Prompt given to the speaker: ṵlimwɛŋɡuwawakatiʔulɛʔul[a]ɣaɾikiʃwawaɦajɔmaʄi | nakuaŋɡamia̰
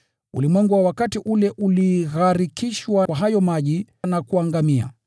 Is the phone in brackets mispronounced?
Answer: yes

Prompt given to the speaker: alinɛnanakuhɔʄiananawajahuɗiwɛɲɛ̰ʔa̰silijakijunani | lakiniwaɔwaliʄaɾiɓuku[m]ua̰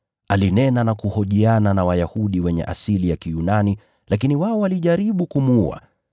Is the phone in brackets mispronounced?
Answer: no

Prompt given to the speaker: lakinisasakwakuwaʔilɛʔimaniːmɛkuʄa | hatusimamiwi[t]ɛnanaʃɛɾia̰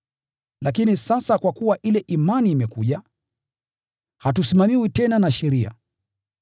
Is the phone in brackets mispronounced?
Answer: no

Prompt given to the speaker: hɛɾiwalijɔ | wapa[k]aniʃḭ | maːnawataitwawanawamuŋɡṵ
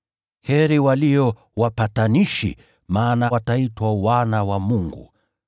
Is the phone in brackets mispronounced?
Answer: yes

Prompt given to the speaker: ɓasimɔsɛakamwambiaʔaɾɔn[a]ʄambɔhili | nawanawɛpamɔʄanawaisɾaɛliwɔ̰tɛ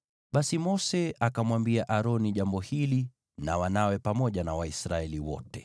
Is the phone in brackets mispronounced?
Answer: yes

